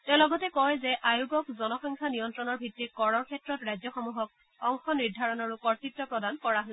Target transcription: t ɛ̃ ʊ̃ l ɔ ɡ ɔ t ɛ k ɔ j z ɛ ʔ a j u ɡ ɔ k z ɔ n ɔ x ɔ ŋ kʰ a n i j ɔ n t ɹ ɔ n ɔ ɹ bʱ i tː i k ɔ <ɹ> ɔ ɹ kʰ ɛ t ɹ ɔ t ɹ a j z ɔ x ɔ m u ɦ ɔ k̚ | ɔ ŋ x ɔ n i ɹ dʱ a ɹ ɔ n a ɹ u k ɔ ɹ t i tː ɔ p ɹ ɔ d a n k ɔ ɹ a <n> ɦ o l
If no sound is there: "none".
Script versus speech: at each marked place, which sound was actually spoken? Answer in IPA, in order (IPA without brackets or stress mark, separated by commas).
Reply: ɹ, none